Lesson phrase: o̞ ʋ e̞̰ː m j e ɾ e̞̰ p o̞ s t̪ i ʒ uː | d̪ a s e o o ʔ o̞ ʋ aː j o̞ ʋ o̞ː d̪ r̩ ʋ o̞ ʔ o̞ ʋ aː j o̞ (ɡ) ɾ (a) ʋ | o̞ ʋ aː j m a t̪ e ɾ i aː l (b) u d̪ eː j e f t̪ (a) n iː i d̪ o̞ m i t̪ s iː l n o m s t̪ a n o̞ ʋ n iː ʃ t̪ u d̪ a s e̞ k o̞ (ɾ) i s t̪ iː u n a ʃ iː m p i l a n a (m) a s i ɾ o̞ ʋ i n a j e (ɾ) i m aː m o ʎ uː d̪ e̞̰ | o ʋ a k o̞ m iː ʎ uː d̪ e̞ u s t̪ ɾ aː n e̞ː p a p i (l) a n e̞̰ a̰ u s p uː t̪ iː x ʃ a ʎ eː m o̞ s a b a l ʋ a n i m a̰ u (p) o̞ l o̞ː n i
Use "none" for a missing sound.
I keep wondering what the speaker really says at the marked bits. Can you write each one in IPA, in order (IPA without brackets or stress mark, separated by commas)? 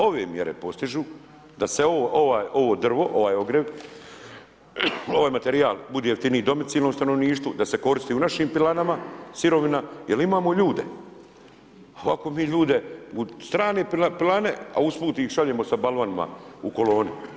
ɡ, e, b, i, ɾ, m, l, l, k